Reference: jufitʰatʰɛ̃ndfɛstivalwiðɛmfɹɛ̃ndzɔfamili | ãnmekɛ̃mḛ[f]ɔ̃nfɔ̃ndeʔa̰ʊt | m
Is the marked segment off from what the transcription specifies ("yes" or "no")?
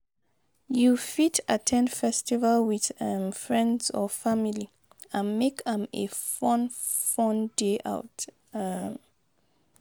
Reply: no